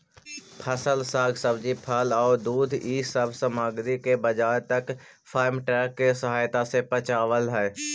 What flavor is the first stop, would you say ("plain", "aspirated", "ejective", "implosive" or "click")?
aspirated